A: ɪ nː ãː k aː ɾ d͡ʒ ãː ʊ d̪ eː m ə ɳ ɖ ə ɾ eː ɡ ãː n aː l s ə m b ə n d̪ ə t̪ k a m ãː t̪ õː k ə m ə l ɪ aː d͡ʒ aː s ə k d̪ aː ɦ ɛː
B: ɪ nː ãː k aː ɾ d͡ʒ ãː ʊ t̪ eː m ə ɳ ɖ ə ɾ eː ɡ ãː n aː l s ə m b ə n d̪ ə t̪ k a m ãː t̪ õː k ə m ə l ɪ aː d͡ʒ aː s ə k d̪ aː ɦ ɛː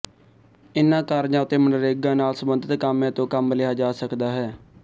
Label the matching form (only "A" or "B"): B